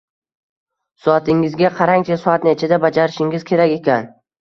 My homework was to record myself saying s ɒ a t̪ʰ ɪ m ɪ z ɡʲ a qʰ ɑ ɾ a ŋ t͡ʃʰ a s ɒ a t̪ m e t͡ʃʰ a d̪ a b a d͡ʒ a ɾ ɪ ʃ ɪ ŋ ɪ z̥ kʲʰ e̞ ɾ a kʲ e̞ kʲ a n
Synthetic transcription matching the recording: s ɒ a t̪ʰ ɪ ŋ ɪ z ɡʲ a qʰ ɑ ɾ a ŋ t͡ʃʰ a s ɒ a t̪ n e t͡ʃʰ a d̪ a b a d͡ʒ a ɾ ɪ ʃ ɪ ŋ ɪ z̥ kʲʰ e̞ ɾ a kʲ e̞ kʲ a n